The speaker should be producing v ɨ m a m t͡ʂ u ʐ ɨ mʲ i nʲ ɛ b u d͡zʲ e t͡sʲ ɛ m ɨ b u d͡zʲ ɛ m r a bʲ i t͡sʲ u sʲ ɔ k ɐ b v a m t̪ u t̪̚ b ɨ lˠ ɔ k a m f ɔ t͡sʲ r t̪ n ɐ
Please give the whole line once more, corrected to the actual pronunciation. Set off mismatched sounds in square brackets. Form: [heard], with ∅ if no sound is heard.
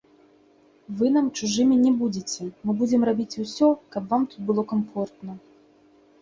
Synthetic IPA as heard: v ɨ [n] a m t͡ʂ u ʐ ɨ mʲ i nʲ ɛ b u d͡zʲ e t͡sʲ ɛ m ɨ b u d͡zʲ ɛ m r a bʲ i t͡sʲ u sʲ ɔ k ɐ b v a m t̪ u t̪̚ b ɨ lˠ ɔ k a m f ɔ [∅] r t̪ n ɐ

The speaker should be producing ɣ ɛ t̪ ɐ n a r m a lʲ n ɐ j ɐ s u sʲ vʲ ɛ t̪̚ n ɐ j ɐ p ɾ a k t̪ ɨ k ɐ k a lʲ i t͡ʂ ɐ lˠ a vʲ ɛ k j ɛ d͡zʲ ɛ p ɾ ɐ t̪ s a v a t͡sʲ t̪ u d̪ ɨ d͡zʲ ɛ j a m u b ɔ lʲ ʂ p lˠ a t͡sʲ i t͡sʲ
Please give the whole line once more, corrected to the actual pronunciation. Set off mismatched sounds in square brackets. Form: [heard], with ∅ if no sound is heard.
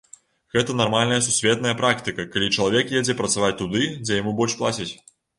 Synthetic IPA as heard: ɣ ɛ t̪ ɐ n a r m a lʲ n ɐ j ɐ s u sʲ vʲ ɛ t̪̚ n ɐ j ɐ p ɾ a k t̪ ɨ k ɐ k a lʲ i t͡ʂ ɐ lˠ a vʲ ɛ k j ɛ d͡zʲ ɛ p ɾ ɐ t̪ s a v a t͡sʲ t̪ u d̪ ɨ d͡zʲ ɛ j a m u b ɔ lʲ ʂ p lˠ a t͡sʲ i t͡sʲ

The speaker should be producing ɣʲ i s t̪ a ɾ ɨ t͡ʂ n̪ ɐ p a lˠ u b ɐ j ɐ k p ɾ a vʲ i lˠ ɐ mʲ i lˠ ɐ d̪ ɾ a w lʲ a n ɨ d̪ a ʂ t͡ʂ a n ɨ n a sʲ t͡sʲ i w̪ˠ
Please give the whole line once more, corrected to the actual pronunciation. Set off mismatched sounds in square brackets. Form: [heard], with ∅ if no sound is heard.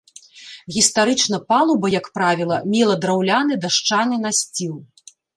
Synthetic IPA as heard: ɣʲ i s t̪ a ɾ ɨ t͡ʂ n̪ ɐ p a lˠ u b ɐ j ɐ k p ɾ a vʲ i lˠ ɐ mʲ i lˠ ɐ d̪ ɾ a w lʲ a n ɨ d̪ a ʂ t͡ʂ a n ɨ n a sʲ t͡sʲ i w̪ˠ

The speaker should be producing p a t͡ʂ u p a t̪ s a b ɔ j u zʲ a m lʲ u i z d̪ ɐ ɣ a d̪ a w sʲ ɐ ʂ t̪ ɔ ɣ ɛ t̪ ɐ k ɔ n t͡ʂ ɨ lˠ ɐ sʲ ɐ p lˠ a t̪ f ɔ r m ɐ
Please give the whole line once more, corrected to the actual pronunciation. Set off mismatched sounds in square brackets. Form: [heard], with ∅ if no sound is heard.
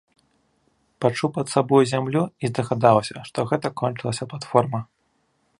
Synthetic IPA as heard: p a t͡ʂ u p [ɐ] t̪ s a b ɔ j u zʲ a m lʲ u i z d̪ ɐ ɣ a d̪ a w sʲ ɐ ʂ t̪ ɔ ɣ ɛ t̪ ɐ k ɔ n t͡ʂ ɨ lˠ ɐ sʲ ɐ p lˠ a t̪ f ɔ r m ɐ

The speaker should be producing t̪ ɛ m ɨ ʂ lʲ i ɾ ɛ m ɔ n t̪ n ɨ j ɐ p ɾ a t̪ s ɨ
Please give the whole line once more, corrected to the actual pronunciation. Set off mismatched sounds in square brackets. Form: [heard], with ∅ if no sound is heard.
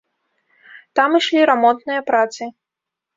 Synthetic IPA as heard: t̪ [a] m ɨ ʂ lʲ i ɾ [a] m ɔ n t̪ n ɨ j ɐ p ɾ a t̪ s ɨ

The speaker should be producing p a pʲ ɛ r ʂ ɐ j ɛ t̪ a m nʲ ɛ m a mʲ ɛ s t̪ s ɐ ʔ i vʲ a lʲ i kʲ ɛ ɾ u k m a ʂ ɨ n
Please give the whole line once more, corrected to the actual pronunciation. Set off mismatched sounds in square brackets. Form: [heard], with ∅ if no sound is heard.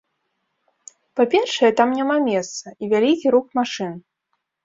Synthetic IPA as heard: p a pʲ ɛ r ʂ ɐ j ɛ t̪ a m nʲ [a] m a mʲ ɛ s t̪ s ɐ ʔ i vʲ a lʲ i kʲ [i] ɾ u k m a ʂ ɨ n

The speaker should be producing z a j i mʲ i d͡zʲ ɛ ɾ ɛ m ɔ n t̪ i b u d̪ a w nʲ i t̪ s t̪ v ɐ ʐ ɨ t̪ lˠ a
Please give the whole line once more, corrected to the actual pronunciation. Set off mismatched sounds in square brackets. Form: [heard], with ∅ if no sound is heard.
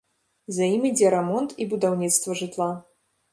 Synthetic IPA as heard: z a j i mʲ i d͡zʲ ɛ ɾ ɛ m ɔ n t̪ i b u d̪ a w nʲ i t̪ s t̪ v ɐ ʐ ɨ t̪ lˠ a

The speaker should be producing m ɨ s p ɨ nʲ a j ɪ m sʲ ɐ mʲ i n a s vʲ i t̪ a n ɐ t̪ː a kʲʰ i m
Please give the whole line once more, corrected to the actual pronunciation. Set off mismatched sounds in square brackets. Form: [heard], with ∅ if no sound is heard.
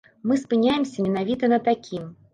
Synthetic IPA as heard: m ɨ s p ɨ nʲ a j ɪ m sʲ ɐ mʲ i n a [∅] vʲ i t̪ [ɐ] n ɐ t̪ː a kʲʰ i m

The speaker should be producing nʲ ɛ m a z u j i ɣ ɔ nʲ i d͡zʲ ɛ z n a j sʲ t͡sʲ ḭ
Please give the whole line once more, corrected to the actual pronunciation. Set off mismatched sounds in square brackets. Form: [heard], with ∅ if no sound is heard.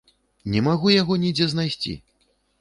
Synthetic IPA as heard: nʲ ɛ m a [ɣ] u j [a] ɣ ɔ nʲ i d͡zʲ ɛ z n a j sʲ t͡sʲ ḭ

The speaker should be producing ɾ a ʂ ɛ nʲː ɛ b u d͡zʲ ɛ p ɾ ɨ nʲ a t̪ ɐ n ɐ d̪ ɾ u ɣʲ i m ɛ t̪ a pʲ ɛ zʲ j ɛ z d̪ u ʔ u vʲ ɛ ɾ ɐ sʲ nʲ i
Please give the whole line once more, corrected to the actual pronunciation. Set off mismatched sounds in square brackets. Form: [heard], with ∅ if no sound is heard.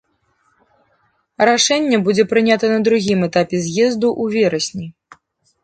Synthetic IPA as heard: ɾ a ʂ ɛ nʲː ɛ b u d͡zʲ ɛ p ɾ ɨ nʲ a t̪ ɐ n ɐ d̪ ɾ u ɣʲ i m ɛ t̪ a pʲ ɛ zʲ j ɛ z d̪ u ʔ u vʲ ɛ ɾ ɐ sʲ nʲ i

